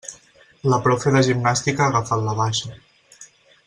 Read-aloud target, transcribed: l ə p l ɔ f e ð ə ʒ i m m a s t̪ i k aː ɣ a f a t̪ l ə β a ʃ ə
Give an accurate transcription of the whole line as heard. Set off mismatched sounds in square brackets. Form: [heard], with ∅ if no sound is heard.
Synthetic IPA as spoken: l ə p [ɾ] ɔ f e ð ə ʒ i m [n] a s t̪ i k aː ɣ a f a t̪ l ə β a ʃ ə